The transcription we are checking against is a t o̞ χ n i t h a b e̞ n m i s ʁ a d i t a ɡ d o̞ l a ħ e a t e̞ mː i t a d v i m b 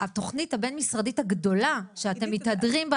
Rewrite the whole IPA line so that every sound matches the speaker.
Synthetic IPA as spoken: a t o̞ χ n i t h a b e̞ n m i s ʁ a d i t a ɡ d o̞ l a ʃ e a t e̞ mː i t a d ʁ i m b